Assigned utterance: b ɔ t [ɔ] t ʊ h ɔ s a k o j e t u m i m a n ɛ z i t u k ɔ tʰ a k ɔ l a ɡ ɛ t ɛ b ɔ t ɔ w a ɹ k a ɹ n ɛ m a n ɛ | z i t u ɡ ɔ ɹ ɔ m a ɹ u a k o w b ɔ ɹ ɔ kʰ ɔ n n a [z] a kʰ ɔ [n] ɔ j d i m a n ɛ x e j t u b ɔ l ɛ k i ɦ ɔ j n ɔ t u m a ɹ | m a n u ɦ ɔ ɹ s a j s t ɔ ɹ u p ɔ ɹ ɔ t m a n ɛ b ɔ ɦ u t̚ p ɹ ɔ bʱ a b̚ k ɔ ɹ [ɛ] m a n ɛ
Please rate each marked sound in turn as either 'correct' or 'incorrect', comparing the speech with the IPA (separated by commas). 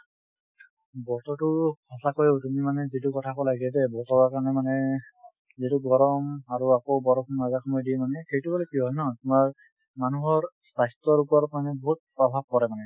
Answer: correct, correct, incorrect, correct